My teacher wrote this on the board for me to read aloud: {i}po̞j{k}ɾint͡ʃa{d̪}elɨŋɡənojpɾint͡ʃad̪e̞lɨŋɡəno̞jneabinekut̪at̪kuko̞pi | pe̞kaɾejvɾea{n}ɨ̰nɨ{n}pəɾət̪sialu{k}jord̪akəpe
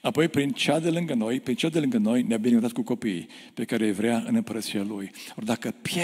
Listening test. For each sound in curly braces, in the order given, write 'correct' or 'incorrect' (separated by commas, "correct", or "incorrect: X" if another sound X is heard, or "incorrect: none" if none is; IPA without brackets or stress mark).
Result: incorrect: a, incorrect: p, correct, incorrect: none, incorrect: m, incorrect: none